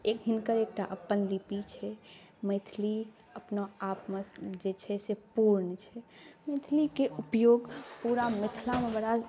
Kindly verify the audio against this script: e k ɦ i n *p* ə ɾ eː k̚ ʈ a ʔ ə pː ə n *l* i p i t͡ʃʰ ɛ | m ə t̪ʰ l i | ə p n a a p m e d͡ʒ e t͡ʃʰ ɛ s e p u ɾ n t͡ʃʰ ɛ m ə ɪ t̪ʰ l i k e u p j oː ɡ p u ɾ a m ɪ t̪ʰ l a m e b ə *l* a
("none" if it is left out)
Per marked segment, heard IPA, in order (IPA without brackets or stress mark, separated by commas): k, l, ɽ